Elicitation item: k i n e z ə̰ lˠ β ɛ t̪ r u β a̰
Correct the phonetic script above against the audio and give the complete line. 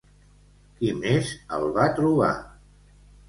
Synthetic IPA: k i m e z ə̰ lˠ β a t̪ ɾ u β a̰

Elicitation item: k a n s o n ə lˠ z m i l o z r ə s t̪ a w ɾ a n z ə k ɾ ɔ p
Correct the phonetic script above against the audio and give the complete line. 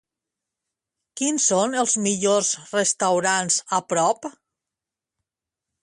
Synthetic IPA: k i n s o n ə lˠ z m i ʎ o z r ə s t̪ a w ɾ a n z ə p ɾ ɔ p

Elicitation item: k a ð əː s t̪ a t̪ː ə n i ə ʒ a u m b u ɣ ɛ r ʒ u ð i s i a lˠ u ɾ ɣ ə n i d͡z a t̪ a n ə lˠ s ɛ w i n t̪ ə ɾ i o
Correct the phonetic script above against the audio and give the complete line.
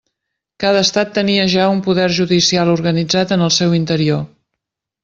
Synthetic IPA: k a ð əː s t̪ a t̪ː ə n i ə ʒ a u m p u ð ɛ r ʒ u ð i s i a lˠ u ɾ ɣ ə n i d͡z a t̪ ə n ə lˠ s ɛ w i n t̪ ə ɾ i o

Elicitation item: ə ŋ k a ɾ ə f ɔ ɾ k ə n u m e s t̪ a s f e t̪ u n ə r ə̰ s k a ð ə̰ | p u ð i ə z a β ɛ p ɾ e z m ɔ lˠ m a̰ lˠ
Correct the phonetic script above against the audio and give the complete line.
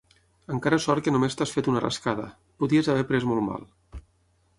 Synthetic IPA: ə ŋ k a ɾ ə s ɔ ɾ k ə n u m e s t̪ a s f e t̪ u n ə r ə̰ s k a ð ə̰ | p u ð i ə z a β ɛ p ɾ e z m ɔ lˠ m a̰ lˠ

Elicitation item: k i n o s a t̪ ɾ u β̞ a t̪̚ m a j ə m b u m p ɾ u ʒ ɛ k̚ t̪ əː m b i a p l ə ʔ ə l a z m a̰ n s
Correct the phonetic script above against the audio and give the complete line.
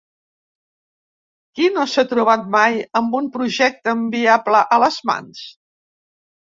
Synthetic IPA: k i n o s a t̪ ɾ u β̞ a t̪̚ m a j ə m b u m p ɾ u ʒ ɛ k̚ t̪ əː m b i a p l ə ʔ ə l ə z m a̰ n s

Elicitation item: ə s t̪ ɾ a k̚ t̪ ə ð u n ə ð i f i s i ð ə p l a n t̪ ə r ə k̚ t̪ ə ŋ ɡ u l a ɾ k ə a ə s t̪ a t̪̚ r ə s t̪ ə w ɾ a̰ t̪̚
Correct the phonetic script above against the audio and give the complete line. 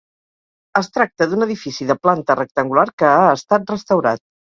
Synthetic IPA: ə s t̪ ɾ a k̚ t̪ ə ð u n ə ð i f i s i ð ə p l a n t̪ ə r ə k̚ t̪ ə ŋ ɡ u l a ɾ k ə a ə s t̪ a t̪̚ r ə s t̪ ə w ɾ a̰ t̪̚

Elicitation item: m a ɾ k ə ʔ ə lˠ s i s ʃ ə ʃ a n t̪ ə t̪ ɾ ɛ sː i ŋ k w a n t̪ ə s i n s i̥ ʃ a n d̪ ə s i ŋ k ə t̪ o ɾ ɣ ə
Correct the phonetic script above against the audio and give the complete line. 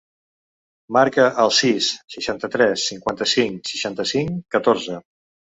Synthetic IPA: m a ɾ k ə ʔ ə lˠ s i s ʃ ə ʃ a n t̪ ə t̪ ɾ ɛ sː i ŋ k w a n t̪ ə s i ŋ s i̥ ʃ a n t̪ ə s i ŋ k ə t̪ o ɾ z ə

